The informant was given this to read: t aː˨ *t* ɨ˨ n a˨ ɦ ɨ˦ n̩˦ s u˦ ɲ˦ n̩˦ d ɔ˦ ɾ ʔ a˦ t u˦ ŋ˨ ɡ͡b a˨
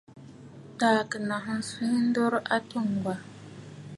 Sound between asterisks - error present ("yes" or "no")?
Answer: yes